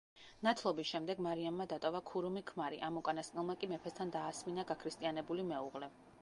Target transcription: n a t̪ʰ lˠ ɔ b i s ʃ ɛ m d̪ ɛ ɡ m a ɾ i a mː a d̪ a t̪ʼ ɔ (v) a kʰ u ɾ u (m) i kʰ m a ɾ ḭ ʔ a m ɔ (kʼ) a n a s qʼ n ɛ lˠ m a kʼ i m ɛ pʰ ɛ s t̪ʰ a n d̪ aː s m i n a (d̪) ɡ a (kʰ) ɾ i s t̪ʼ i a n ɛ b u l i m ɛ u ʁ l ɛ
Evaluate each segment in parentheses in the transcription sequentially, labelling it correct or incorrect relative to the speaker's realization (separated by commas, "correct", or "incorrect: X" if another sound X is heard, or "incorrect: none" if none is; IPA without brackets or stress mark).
correct, correct, correct, incorrect: none, correct